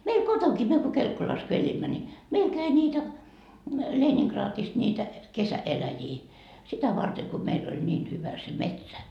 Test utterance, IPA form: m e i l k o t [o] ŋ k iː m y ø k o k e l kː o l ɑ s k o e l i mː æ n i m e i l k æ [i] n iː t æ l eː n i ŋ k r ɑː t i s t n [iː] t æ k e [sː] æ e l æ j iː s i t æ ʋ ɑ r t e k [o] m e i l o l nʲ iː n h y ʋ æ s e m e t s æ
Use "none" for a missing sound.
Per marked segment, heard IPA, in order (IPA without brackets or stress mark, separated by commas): o, i, iː, s, o